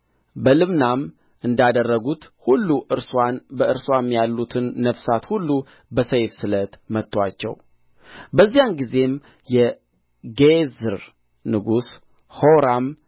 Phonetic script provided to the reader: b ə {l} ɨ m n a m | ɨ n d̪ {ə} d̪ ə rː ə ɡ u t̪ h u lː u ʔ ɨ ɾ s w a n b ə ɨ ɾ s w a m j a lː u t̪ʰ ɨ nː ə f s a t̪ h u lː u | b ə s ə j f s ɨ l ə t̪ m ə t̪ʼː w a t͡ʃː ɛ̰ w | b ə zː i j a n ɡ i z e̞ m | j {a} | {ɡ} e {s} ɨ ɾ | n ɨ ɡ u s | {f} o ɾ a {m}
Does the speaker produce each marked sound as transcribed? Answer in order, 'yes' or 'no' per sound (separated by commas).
yes, no, no, yes, no, no, yes